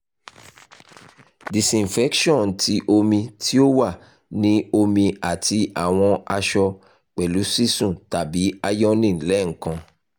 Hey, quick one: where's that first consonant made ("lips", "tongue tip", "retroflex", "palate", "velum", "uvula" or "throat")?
tongue tip